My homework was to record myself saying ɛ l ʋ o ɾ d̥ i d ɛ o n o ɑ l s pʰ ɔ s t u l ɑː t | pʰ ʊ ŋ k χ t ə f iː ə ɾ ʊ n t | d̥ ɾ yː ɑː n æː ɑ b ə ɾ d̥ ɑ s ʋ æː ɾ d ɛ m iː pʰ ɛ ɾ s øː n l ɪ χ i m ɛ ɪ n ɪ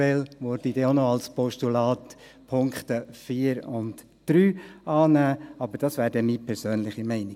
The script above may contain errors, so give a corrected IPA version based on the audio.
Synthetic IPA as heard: ɛ l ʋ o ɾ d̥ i d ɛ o n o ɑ l s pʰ ɔ ʃ t u l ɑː t | pʰ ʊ ŋ k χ t ə f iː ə ɾ ʊ n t | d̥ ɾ yː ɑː n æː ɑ b ə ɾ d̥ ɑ s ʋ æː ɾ d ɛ m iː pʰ ɛ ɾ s øː n l ɪ χ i m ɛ ɪ n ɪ